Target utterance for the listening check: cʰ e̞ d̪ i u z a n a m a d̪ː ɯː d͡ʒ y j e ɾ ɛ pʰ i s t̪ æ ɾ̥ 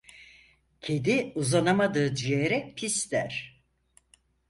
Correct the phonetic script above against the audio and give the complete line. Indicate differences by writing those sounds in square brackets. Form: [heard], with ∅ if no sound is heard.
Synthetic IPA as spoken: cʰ e̞ d̪ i u z a n a m a [d̪] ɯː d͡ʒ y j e ɾ ɛ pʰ i s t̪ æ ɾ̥